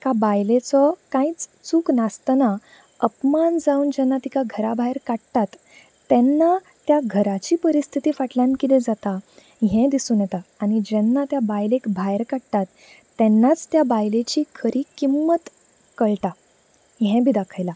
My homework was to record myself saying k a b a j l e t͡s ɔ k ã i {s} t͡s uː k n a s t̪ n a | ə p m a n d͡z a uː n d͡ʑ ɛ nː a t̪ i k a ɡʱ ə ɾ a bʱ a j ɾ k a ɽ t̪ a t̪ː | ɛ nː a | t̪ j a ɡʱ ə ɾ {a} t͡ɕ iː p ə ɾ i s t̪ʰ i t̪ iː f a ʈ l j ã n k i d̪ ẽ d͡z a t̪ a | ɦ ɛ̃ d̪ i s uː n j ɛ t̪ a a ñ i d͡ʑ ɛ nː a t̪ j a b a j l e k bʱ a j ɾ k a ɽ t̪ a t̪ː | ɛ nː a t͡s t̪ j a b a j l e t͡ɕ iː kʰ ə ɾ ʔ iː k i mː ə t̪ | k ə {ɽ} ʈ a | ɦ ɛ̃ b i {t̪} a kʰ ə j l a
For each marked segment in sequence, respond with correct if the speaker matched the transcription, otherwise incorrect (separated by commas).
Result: incorrect, correct, incorrect, incorrect